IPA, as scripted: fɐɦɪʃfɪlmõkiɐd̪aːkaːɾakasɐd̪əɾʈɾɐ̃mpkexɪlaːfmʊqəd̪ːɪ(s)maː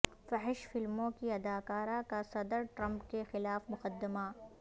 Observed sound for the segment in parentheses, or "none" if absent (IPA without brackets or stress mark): none